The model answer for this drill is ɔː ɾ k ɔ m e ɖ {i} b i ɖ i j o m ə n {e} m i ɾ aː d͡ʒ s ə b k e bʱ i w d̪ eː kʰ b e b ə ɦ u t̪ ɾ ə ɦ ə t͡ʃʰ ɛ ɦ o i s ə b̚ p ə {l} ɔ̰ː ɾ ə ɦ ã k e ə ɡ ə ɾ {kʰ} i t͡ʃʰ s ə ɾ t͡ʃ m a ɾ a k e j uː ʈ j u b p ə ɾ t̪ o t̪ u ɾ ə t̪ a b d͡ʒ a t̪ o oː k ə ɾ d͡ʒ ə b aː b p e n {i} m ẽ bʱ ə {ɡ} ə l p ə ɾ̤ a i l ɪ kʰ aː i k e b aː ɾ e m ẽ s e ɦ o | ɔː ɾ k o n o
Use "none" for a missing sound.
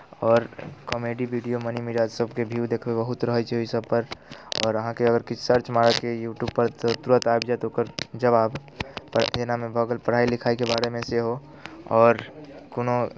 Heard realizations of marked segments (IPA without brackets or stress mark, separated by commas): i, i, ɾ, k, a, ɡ